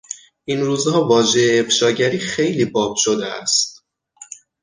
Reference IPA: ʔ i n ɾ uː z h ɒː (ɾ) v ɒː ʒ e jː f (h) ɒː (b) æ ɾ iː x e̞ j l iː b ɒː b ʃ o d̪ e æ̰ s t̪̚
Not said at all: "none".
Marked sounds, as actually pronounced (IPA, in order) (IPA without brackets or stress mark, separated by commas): none, ʃ, ɟ